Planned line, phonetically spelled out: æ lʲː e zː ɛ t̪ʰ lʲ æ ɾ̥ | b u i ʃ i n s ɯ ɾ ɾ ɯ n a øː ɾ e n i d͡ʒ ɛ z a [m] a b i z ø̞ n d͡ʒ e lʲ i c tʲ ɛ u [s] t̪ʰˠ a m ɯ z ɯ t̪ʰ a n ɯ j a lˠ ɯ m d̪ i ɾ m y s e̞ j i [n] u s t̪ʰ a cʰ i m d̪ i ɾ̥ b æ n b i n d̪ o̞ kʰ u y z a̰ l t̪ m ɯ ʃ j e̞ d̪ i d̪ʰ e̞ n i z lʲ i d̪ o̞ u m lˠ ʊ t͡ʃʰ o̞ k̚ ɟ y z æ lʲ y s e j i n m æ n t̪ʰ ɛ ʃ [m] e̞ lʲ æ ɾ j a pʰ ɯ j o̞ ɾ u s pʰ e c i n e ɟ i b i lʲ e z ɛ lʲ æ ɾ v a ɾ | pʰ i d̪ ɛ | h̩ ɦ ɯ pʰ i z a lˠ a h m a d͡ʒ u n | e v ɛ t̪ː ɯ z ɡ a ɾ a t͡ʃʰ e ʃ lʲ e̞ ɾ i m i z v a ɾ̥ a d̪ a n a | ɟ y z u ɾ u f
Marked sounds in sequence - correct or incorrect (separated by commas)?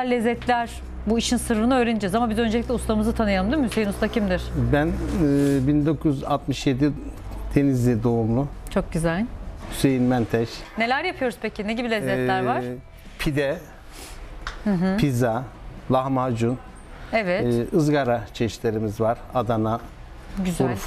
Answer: correct, correct, correct, incorrect